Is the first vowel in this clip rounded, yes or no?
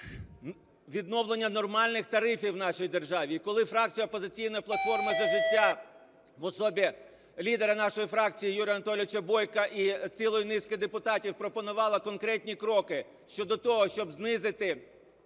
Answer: no